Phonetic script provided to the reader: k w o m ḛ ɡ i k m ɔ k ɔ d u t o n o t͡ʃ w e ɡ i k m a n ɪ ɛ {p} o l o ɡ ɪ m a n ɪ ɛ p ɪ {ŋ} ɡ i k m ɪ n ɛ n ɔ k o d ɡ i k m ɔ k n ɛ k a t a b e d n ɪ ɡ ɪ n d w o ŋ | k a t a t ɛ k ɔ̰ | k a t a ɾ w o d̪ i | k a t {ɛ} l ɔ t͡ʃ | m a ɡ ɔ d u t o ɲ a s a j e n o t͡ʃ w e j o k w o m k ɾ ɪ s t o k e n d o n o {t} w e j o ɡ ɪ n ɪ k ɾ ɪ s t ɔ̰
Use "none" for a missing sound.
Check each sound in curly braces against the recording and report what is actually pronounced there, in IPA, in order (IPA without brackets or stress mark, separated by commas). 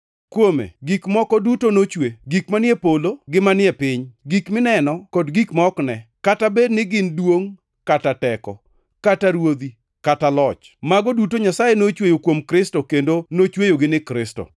p, ɲ, a, t͡ʃ